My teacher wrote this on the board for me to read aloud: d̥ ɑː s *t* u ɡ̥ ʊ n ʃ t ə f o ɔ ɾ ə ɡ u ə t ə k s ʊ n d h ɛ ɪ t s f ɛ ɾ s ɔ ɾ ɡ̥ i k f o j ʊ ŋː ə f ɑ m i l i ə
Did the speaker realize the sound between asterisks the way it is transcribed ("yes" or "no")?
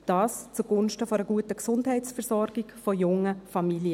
no